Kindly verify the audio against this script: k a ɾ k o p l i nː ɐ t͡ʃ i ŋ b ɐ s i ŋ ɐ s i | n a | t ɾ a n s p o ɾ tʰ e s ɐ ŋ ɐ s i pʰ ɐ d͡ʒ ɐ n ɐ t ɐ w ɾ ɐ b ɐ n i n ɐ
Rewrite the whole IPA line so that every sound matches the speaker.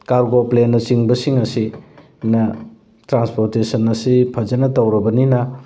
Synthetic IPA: k a ɾ ɡ o p l e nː ɐ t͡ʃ i ŋ b ɐ s i ŋ ɐ s i | n ɐ | t ɾ a n s p o ɾ t e s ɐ n ɐ s i pʰ ɐ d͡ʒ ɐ n ɐ t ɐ w ɾ ɐ b ɐ n i n ɐ